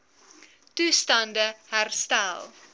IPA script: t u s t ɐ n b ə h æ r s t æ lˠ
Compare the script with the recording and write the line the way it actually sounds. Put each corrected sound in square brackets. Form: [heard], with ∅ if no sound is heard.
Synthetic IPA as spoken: t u s t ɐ n [d] ə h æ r s t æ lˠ